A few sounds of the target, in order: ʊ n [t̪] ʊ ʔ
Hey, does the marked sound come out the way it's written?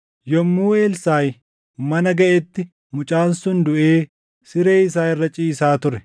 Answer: no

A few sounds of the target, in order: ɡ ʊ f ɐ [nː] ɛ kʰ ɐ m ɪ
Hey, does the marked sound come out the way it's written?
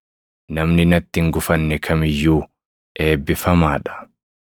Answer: yes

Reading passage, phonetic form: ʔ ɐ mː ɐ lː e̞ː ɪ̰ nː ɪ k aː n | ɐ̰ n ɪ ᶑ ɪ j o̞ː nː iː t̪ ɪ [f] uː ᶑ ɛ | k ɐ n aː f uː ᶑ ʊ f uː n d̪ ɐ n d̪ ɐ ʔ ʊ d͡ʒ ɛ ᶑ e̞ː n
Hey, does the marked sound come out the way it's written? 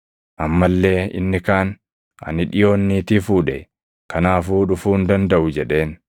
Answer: yes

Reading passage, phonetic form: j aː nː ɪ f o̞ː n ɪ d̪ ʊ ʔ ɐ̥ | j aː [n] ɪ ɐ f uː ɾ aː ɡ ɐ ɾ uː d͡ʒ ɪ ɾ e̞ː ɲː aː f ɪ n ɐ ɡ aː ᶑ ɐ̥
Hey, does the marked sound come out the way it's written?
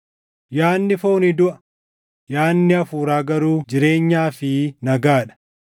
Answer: no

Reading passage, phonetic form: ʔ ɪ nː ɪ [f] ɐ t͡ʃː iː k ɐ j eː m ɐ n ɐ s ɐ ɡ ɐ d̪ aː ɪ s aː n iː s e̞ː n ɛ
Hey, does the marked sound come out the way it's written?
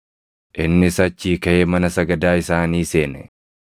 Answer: no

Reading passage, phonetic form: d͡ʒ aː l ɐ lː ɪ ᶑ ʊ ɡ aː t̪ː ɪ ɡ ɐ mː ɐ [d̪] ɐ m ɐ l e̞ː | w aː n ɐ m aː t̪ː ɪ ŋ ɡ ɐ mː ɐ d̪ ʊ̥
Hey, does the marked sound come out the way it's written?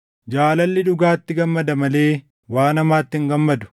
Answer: yes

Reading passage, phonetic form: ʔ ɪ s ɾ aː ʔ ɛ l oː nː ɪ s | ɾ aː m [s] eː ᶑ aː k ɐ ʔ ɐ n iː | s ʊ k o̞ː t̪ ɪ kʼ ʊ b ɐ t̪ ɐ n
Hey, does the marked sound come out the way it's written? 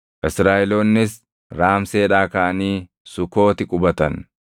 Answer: yes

